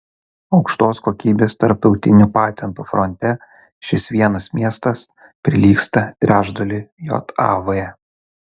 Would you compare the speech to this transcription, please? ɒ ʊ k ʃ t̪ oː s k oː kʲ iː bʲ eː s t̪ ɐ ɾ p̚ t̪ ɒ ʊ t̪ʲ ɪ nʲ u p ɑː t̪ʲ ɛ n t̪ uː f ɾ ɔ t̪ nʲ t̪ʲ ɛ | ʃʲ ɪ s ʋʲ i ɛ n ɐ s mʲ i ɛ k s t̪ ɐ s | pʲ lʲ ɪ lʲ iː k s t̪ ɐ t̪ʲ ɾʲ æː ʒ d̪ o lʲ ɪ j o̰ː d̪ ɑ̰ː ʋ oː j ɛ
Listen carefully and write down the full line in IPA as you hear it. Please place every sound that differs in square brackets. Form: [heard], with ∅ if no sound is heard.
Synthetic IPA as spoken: ɒ ʊ k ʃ t̪ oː s k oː kʲ iː bʲ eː s t̪ ɐ ɾ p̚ t̪ ɒ ʊ t̪ʲ ɪ nʲ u p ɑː t̪ʲ ɛ n t̪ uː f ɾ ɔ [∅] nʲ t̪ʲ ɛ | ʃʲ ɪ s ʋʲ i ɛ n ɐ s mʲ i ɛ [∅] s t̪ ɐ s | pʲ [ɾʲ] ɪ lʲ iː k s t̪ ɐ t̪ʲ ɾʲ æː ʒ d̪ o lʲ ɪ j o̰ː [t̪] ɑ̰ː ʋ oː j ɛ